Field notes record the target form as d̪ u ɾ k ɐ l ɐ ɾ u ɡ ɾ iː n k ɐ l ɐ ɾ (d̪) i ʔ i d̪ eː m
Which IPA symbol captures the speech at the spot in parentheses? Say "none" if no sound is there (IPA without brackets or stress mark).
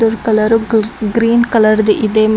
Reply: d̪